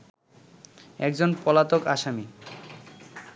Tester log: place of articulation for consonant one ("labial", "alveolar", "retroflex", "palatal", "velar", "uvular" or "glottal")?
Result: velar